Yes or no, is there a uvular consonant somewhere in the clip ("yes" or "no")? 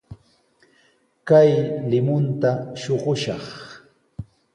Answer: yes